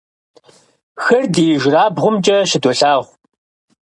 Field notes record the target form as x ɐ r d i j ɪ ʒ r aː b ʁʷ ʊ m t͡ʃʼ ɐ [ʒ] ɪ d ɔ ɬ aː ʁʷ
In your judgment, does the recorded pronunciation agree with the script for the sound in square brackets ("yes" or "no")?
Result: no